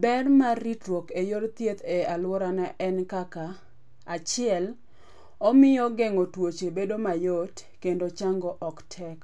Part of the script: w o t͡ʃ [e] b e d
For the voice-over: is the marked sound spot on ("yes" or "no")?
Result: yes